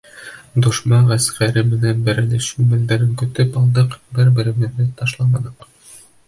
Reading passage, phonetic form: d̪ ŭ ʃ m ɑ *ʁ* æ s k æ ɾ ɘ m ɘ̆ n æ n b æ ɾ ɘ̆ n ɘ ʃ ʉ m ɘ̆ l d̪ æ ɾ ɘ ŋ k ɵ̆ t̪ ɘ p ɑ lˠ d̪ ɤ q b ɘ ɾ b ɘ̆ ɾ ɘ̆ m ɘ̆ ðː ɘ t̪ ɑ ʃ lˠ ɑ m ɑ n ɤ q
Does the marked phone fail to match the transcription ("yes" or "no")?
no